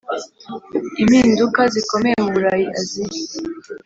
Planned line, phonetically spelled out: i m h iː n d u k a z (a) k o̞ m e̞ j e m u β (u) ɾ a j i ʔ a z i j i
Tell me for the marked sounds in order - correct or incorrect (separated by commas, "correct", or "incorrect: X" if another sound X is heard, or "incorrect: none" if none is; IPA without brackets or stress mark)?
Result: incorrect: i, correct